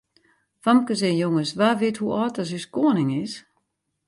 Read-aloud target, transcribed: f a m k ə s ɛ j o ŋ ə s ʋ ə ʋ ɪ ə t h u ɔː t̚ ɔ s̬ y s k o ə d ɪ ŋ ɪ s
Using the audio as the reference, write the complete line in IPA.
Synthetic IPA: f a m k ə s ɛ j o ŋ ə s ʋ a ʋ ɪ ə t h u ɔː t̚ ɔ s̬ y s k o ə n ɪ ŋ ɪ s